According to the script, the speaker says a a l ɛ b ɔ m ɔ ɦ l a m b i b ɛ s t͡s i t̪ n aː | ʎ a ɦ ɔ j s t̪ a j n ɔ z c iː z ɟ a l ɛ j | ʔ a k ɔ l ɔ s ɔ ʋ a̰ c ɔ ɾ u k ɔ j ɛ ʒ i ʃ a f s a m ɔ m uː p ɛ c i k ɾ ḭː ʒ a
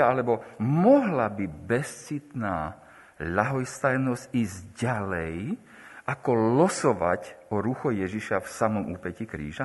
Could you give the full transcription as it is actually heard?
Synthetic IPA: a a l ɛ b ɔ m ɔ ɦ l a b i b ɛ s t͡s i t̪ n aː | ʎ a ɦ ɔ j s t̪ a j n ɔ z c iː z ɟ a l ɛ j | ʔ a k ɔ l ɔ s ɔ ʋ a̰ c ɔ ɾ u x ɔ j ɛ ʒ i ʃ a f s a m ɔ m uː p ɛ c i k ɾ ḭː ʒ a